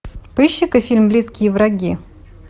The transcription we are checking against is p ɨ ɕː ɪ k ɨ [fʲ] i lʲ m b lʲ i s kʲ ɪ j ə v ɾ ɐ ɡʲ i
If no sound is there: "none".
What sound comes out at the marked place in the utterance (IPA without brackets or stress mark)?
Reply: fʲ